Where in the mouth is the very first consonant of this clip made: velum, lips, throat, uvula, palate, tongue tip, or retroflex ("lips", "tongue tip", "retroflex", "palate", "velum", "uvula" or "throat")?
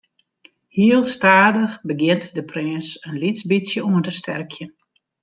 throat